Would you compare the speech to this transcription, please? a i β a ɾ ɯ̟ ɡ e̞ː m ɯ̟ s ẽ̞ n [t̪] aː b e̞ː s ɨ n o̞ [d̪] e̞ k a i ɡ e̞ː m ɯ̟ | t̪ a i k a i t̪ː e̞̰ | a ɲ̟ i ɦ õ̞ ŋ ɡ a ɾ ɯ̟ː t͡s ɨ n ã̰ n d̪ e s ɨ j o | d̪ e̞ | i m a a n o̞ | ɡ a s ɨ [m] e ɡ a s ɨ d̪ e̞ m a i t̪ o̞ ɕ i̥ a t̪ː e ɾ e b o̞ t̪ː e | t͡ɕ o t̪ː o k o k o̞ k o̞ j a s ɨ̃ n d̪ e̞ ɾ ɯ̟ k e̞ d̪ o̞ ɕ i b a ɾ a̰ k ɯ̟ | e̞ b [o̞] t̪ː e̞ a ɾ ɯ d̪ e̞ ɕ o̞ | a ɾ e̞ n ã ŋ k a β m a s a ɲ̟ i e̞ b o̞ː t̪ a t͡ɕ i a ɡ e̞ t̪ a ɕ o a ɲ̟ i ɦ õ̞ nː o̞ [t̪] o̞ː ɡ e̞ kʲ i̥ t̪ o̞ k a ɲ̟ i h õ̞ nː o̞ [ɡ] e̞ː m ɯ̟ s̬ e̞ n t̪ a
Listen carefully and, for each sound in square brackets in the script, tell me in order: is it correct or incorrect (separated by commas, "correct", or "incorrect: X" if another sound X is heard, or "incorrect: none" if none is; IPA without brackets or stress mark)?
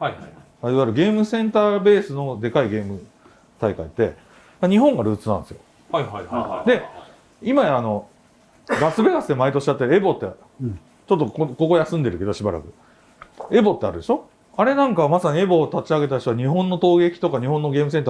correct, correct, incorrect: b, correct, correct, correct